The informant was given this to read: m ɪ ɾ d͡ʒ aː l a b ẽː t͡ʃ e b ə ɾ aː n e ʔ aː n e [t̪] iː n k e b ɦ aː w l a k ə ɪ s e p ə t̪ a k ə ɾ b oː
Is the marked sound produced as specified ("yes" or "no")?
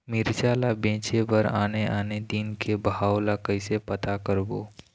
no